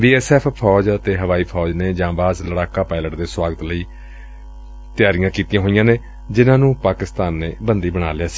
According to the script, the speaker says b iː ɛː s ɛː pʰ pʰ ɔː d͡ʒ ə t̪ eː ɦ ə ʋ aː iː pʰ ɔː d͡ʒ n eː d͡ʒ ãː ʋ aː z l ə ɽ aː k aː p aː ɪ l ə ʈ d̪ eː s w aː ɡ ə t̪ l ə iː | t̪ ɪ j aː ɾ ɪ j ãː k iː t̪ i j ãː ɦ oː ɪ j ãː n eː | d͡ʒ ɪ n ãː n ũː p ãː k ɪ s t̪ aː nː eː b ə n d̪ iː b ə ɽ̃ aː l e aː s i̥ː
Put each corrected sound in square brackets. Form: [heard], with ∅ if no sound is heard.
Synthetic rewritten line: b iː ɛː s ɛː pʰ pʰ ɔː d͡ʒ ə t̪ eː ɦ ə ʋ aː iː pʰ ɔː d͡ʒ n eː d͡ʒ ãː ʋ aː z l ə ɽ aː k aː p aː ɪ l ə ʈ d̪ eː s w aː ɡ ə t̪ l ə iː | t̪ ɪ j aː ɾ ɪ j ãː k iː t̪ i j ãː ɦ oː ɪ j ãː n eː | d͡ʒ ɪ n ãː n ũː p [aː] k ɪ s t̪ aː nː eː b ə n d̪ iː b ə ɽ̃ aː l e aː s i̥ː

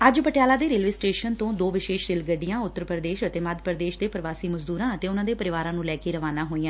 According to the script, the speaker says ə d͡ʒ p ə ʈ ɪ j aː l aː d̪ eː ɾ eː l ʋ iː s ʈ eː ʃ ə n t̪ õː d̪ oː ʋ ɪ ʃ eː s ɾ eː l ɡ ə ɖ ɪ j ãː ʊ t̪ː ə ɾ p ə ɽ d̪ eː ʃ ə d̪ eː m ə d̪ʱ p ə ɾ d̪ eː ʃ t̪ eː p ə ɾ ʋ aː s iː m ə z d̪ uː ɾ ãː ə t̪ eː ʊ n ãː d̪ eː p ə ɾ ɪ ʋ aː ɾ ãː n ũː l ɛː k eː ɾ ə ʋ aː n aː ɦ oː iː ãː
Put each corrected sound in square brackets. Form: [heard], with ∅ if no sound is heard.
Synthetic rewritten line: ə d͡ʒ p ə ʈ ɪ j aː l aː d̪ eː ɾ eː l ʋ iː s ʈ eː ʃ ə n t̪ õː d̪ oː ʋ ɪ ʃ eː [ʃ] ɾ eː l ɡ ə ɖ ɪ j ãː ʊ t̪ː ə ɾ p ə [ɾ] d̪ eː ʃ ə [t̪] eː m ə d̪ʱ p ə ɾ d̪ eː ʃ [d̪] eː p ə ɾ ʋ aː s iː m ə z d̪ uː ɾ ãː ə t̪ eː ʊ n ãː d̪ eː p ə ɾ ɪ ʋ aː ɾ ãː n ũː l ɛː k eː ɾ ə ʋ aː n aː ɦ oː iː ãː

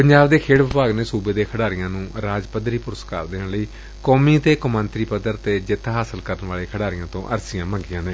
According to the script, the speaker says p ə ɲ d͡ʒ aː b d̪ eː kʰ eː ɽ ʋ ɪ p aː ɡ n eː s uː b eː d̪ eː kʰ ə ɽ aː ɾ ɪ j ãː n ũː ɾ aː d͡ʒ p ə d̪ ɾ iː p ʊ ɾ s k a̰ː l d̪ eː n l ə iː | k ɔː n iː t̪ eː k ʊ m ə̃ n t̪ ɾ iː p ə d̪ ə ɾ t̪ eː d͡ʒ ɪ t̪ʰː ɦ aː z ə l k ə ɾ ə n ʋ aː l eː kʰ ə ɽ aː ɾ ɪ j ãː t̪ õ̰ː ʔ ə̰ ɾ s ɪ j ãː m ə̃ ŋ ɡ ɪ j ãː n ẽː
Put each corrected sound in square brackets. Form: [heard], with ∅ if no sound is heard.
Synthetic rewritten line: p ə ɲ d͡ʒ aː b d̪ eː kʰ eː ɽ ʋ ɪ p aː ɡ n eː s uː b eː d̪ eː kʰ ə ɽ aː ɾ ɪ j ãː n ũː ɾ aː d͡ʒ p ə d̪ ɾ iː p ʊ ɾ s k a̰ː [ɾ] d̪ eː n l ə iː | k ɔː [m] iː t̪ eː k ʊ m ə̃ n t̪ ɾ iː p ə d̪ ə ɾ t̪ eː d͡ʒ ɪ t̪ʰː ɦ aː [s] ə l k ə ɾ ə n ʋ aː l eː kʰ ə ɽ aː ɾ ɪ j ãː t̪ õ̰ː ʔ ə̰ ɾ s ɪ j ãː m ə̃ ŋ ɡ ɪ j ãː n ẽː

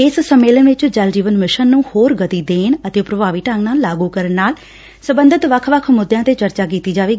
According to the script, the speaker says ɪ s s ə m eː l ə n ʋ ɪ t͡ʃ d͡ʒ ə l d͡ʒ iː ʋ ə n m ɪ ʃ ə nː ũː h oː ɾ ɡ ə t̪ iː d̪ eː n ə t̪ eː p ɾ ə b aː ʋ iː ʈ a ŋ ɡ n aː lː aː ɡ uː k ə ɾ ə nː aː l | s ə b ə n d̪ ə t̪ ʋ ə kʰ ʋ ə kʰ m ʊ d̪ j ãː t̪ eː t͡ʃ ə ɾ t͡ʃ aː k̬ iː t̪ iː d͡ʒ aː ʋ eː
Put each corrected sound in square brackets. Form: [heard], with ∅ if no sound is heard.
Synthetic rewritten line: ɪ s s ə m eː l ə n ʋ ɪ t͡ʃ d͡ʒ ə l d͡ʒ iː ʋ ə n m ɪ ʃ ə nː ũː h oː ɾ ɡ ə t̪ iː d̪ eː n ə t̪ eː p ɾ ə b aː ʋ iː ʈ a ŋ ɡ n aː lː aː ɡ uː k ə ɾ ə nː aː l | s ə b ə n d̪ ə t̪ ʋ ə kʰ ʋ ə kʰ m ʊ d̪ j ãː t̪ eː t͡ʃ ə ɾ t͡ʃ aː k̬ iː t̪ iː d͡ʒ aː ʋ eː

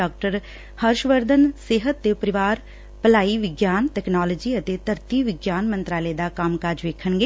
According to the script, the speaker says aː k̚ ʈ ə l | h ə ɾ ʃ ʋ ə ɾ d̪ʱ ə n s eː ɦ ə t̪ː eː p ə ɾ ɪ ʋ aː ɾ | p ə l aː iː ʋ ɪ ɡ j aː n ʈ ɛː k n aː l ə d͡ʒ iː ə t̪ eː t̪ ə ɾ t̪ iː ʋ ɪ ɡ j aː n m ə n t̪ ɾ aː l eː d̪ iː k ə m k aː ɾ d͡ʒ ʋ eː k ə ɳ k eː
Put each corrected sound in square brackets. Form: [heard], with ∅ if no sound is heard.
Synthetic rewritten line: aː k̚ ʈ ə [ɾ] | h ə ɾ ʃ ʋ ə ɾ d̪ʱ ə n s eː ɦ ə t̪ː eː p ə ɾ ɪ ʋ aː ɾ | p ə l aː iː ʋ ɪ ɡ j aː n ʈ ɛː k n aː l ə d͡ʒ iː ə t̪ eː t̪ ə ɾ t̪ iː ʋ ɪ ɡ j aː n m ə n t̪ ɾ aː l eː d̪ [aː] k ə m k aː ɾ d͡ʒ ʋ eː [kʰ] ə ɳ [ɡ] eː

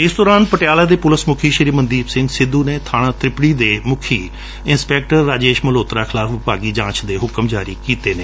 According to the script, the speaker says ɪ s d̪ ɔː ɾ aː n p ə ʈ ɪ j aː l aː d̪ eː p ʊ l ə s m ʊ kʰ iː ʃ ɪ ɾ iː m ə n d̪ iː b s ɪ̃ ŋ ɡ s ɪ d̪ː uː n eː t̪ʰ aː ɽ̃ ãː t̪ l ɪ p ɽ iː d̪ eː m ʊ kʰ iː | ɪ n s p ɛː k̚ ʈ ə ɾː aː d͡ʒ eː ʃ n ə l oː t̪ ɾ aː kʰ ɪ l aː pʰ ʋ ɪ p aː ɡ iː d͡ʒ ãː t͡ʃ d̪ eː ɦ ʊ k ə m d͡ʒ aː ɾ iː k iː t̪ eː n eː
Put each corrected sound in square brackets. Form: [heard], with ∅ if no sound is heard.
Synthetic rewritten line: ɪ s d̪ ɔː ɾ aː n p ə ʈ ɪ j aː l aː d̪ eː p ʊ l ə s m ʊ kʰ iː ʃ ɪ ɾ iː m ə n d̪ iː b s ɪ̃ ŋ ɡ s ɪ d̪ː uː n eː t̪ʰ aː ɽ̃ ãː t̪ [ɾ] ɪ p ɽ iː d̪ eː m ʊ kʰ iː | ɪ n s p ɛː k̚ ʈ ə ɾː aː d͡ʒ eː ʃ [m] ə l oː t̪ ɾ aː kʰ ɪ l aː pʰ ʋ ɪ p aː ɡ iː d͡ʒ ãː t͡ʃ d̪ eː ɦ ʊ k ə m d͡ʒ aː ɾ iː k iː t̪ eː n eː

